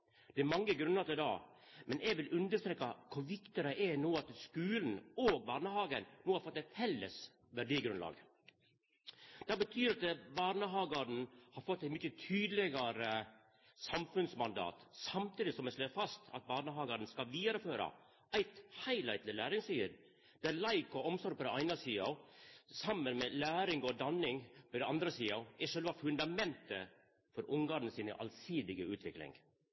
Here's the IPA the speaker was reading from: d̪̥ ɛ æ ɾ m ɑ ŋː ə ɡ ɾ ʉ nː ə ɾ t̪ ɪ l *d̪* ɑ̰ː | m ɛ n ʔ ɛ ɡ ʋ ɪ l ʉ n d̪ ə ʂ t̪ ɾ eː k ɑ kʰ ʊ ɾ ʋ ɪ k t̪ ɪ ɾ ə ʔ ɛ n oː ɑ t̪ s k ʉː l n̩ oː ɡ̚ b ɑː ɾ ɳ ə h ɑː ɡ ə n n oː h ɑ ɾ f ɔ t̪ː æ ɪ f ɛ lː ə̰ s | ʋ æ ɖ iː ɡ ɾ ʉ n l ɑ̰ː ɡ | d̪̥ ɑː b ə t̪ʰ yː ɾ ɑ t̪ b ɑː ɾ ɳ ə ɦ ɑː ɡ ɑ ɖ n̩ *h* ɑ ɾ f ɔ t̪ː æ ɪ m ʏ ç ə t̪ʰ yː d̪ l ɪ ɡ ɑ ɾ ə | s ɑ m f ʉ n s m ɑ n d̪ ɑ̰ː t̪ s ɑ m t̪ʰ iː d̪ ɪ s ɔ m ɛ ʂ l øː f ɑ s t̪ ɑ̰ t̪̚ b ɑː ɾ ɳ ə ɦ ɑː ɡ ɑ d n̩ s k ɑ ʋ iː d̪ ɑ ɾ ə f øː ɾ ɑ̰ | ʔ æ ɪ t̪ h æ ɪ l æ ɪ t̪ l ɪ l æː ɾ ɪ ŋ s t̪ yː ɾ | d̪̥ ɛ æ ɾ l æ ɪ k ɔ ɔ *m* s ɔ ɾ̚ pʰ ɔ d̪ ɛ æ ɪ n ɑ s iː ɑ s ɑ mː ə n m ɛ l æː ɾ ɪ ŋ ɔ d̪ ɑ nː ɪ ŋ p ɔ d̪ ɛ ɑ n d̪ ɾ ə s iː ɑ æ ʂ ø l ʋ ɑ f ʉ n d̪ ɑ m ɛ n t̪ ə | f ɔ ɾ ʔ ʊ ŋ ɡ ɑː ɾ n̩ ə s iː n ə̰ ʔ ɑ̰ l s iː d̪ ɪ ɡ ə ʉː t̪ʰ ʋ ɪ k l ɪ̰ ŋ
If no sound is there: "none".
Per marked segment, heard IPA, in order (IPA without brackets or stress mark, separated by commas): d̪, h, m